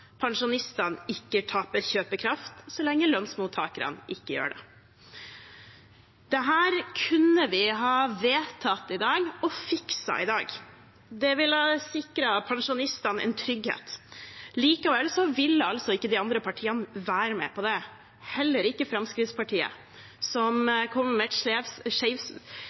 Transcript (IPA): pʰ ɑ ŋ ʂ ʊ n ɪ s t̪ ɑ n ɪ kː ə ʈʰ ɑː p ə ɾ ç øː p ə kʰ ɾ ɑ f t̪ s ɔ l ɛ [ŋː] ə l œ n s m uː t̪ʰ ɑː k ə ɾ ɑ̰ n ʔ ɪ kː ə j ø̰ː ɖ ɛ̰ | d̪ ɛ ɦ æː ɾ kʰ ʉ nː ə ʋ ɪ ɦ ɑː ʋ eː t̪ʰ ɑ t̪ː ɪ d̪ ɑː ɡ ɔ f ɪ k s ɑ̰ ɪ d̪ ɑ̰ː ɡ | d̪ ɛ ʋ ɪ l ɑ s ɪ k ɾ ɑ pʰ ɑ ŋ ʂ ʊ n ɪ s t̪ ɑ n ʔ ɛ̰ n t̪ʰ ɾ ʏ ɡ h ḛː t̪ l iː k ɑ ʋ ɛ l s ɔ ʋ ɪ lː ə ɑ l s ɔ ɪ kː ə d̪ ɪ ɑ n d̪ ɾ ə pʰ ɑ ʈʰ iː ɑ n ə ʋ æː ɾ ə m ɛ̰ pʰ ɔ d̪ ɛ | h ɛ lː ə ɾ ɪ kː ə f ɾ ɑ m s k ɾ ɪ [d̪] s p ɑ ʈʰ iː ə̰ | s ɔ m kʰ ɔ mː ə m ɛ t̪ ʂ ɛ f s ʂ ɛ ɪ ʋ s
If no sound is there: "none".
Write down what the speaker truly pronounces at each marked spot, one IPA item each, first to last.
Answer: ŋː, t̪

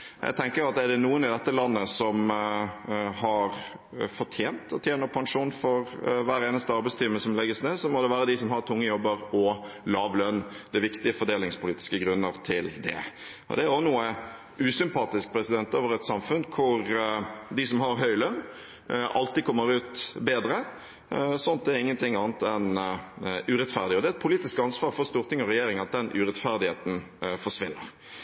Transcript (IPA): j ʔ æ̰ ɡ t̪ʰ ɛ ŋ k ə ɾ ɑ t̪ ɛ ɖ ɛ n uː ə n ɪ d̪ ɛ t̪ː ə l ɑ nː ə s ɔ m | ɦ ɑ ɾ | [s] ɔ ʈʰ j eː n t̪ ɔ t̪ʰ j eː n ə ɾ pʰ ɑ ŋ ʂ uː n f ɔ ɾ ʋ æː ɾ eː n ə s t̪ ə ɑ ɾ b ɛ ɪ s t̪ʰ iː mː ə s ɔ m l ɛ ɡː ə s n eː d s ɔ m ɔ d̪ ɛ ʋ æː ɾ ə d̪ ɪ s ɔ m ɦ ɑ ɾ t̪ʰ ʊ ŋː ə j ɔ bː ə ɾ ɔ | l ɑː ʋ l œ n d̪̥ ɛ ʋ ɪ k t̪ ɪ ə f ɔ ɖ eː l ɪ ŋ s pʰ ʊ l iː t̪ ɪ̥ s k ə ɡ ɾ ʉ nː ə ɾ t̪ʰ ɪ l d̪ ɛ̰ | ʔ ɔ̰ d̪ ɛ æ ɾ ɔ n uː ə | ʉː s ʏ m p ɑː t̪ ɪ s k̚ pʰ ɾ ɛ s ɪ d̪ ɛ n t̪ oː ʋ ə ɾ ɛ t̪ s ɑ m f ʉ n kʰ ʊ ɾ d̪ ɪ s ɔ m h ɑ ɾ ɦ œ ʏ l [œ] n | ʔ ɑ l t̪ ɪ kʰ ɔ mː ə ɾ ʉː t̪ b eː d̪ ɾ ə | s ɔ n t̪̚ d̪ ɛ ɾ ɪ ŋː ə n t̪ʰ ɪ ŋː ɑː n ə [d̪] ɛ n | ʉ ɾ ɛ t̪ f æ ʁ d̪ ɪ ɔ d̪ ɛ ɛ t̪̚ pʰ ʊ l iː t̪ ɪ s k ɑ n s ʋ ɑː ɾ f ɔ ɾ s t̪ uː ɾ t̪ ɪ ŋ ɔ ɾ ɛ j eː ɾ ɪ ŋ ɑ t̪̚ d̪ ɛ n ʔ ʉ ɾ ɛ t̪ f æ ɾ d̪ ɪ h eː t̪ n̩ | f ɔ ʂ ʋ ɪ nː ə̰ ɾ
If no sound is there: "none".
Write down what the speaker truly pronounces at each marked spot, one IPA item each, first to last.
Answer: f, œ, t̪

